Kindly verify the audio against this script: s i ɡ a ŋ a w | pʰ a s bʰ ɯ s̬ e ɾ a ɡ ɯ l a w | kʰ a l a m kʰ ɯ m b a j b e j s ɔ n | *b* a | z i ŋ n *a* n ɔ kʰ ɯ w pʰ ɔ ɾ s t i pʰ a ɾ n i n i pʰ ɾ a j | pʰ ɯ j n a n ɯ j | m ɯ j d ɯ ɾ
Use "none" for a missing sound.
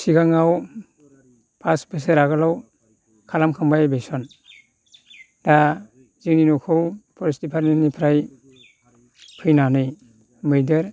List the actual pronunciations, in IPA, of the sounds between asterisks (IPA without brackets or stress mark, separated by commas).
d, i